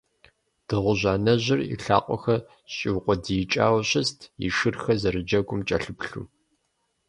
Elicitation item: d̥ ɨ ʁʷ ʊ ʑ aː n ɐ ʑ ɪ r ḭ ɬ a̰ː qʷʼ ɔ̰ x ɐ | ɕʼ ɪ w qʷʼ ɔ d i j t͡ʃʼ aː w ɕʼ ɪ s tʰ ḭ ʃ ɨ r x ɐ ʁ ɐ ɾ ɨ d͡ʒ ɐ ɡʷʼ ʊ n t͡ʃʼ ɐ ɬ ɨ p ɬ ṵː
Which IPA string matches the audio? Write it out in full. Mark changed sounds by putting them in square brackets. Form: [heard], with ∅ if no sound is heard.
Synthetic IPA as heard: d̥ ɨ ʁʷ ʊ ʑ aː n ɐ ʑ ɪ r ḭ ɬ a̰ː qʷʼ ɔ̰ x ɐ | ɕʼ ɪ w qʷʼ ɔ d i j t͡ʃʼ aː w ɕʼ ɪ s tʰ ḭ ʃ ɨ r x ɐ [z] ɐ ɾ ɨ d͡ʒ ɐ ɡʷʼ ʊ [m] t͡ʃʼ ɐ ɬ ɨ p ɬ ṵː